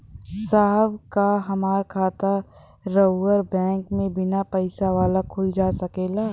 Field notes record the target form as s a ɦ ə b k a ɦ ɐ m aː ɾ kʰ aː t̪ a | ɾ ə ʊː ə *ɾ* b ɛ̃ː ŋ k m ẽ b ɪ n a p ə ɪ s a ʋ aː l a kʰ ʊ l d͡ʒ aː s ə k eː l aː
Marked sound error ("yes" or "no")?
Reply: no